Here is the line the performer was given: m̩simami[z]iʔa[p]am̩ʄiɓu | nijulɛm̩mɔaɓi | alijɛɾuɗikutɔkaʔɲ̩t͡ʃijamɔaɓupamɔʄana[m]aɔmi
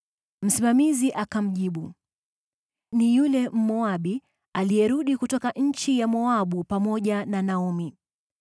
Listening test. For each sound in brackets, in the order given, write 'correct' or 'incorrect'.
correct, incorrect, incorrect

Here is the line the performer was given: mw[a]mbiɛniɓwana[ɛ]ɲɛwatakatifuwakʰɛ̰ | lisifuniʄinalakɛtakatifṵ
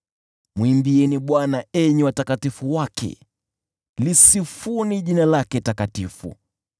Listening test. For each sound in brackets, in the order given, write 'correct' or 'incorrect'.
incorrect, correct

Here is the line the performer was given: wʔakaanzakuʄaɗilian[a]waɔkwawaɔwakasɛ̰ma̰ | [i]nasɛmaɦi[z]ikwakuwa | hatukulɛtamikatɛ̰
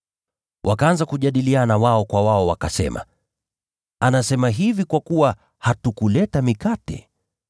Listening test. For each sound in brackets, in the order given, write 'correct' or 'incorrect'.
correct, incorrect, incorrect

